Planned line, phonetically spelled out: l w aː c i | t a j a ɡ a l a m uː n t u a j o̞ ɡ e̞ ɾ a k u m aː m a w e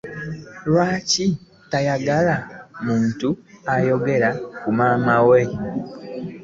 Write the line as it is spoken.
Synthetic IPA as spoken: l w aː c i | t a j a ɡ a l a m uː n t u a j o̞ ɡ e̞ ɾ a k u m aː m a w e